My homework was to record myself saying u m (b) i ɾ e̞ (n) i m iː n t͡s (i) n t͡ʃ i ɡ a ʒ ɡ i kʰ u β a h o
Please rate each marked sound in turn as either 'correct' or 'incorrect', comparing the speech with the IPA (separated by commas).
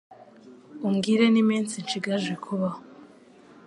incorrect, correct, correct